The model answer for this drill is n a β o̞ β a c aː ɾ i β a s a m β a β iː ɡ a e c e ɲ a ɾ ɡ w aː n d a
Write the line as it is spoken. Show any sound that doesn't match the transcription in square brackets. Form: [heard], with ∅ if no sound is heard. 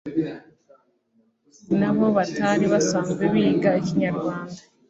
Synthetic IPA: n a β o̞ β a [t] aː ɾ i β a s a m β [e] β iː ɡ a e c [i] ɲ a ɾ ɡ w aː n d a